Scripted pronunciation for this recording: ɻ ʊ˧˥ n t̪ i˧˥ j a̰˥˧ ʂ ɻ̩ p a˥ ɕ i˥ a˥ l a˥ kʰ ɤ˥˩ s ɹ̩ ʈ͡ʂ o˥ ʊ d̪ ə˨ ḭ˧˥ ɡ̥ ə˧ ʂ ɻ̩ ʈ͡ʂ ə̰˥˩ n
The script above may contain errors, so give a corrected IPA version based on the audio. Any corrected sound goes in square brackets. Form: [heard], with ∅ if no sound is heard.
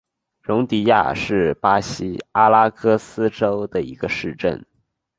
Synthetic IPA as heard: ɻ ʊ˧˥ [ŋ] t̪ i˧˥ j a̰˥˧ ʂ ɻ̩ p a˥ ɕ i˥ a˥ l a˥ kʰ [ɤ˥] s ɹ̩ ʈ͡ʂ o˥ ʊ d̪ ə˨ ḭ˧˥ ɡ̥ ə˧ ʂ ɻ̩ ʈ͡ʂ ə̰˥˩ n